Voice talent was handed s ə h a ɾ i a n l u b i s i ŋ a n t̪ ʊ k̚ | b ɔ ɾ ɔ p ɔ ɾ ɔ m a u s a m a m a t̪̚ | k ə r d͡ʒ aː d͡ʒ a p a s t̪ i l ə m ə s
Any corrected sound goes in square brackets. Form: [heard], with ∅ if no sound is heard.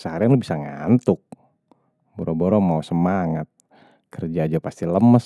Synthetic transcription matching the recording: s ə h a ɾ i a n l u b i s [a] ŋ a n t̪ ʊ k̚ | b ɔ ɾ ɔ [b] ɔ ɾ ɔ m a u s [ə] m a [ŋ] a t̪̚ | k ə r d͡ʒ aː d͡ʒ a p a s t̪ i l ə m ə s